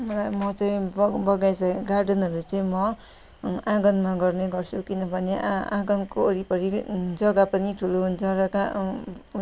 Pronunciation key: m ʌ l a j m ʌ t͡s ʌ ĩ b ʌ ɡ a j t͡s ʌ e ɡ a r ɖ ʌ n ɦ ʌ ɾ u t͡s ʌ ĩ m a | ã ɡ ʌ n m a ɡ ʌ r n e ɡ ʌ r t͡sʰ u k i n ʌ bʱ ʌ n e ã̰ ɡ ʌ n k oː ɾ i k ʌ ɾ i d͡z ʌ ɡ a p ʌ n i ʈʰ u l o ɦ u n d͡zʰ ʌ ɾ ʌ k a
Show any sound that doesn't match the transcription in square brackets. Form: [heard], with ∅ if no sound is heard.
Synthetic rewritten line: m ʌ l a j m ʌ t͡s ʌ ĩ b ʌ ɡ a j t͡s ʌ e ɡ a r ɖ ʌ n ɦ ʌ ɾ u t͡s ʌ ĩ m [ʌ] | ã ɡ ʌ n m a ɡ ʌ r n e ɡ ʌ r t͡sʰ u k i n ʌ bʱ ʌ n e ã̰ ɡ ʌ n k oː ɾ i [p] ʌ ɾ i d͡z ʌ ɡ a p ʌ n i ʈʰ u l o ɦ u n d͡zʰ ʌ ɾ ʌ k a